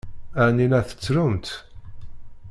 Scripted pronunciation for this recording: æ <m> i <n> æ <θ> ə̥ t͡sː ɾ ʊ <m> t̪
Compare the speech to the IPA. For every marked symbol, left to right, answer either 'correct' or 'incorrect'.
incorrect: n, correct, correct, correct

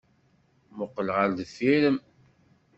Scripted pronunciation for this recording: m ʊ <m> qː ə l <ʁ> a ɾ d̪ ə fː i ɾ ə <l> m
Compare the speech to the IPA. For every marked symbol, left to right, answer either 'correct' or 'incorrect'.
incorrect: none, correct, incorrect: none

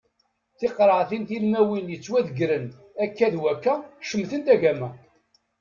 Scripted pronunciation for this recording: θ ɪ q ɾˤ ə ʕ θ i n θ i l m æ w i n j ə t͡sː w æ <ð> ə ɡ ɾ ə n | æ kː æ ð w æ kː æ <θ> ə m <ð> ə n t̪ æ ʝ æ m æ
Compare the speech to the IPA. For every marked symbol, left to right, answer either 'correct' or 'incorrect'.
correct, incorrect: ʃ, incorrect: θ

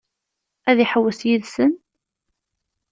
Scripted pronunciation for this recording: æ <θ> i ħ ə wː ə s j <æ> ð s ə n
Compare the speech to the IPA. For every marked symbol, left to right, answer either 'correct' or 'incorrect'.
incorrect: ð, incorrect: i

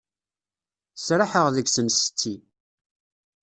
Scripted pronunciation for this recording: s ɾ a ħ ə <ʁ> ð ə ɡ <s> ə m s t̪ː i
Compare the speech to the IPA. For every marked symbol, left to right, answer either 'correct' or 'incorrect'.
correct, correct

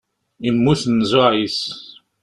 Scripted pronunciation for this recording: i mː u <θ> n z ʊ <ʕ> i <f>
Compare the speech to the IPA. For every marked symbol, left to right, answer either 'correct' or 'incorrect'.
correct, correct, incorrect: s

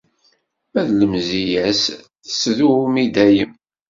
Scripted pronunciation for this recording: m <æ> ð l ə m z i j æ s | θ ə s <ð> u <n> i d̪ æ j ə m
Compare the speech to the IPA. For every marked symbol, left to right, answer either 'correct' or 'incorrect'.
correct, correct, incorrect: m

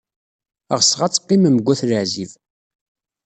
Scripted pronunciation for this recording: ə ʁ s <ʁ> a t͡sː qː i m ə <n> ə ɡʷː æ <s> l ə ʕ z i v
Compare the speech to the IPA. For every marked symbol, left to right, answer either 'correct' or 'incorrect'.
correct, incorrect: m, incorrect: θ

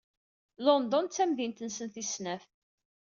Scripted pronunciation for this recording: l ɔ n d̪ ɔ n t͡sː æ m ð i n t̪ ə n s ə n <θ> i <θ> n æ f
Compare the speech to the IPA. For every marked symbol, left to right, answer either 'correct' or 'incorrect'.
correct, incorrect: s

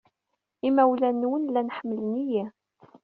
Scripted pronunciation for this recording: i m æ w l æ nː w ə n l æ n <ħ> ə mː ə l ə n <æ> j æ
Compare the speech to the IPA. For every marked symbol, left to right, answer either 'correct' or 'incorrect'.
correct, incorrect: i

